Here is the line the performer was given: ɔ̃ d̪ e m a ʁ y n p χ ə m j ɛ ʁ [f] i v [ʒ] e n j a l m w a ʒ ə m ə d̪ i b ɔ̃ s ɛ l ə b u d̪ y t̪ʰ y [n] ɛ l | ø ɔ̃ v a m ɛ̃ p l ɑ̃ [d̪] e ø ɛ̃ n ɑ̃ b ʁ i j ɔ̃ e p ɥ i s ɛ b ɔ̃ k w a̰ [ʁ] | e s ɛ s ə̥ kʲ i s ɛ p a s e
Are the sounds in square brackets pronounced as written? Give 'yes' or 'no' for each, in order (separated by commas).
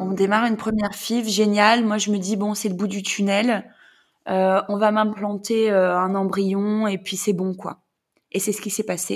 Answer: yes, yes, yes, no, no